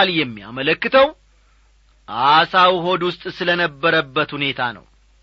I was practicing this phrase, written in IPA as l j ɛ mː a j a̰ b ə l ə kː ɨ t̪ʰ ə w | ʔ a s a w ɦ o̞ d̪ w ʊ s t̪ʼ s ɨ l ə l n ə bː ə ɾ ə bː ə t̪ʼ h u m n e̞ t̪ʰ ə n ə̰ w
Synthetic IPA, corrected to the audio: l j ɛ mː i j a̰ m ə l ə kː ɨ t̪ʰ ə w | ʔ a s a w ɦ o̞ d̪ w ʊ s t̪ʼ s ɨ l ə n ə bː ə ɾ ə bː ə t̪ h u n e̞ t̪ʰ a n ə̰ w